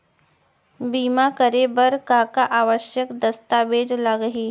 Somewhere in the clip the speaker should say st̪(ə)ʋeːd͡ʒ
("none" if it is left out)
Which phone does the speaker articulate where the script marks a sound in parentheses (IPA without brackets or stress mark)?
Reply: a